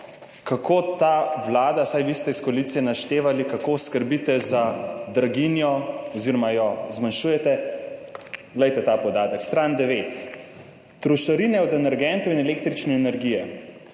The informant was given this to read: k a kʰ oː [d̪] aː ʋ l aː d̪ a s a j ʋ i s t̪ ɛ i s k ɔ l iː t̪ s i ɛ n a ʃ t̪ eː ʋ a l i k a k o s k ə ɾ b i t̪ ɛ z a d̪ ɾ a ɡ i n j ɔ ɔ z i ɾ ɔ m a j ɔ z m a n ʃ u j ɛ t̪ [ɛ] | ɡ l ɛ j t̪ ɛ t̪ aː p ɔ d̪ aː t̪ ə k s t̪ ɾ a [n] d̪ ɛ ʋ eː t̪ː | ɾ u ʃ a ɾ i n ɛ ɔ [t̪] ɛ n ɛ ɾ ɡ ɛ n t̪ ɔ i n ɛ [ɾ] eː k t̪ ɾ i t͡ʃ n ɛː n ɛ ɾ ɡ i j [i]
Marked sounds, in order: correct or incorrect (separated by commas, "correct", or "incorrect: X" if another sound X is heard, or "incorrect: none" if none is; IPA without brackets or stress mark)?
incorrect: t̪, correct, correct, incorrect: d̪, incorrect: l, incorrect: ɛ